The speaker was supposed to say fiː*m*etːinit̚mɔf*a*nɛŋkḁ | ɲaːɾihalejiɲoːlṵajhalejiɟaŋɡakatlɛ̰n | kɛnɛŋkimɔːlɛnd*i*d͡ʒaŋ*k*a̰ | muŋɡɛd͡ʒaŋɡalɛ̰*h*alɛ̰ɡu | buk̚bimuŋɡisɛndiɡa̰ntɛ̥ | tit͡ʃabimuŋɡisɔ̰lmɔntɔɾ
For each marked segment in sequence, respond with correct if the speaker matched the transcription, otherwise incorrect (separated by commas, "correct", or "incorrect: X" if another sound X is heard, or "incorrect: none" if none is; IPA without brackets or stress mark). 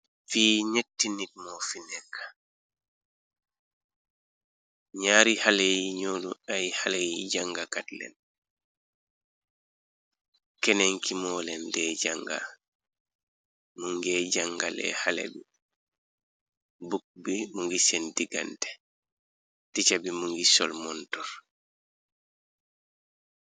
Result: incorrect: ɲ, incorrect: i, incorrect: ɛ, incorrect: ɡ, correct